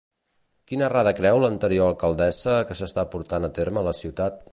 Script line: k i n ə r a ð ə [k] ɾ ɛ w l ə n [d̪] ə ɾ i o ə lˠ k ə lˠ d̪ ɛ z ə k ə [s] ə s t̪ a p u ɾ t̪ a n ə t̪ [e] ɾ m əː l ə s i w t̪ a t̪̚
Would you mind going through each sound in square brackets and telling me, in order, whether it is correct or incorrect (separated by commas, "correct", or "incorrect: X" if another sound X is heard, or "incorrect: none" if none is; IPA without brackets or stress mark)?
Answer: correct, incorrect: t̪, correct, correct